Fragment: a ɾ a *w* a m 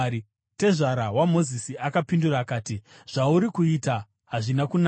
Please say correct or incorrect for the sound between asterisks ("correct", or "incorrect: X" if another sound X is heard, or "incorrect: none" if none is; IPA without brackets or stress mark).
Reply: correct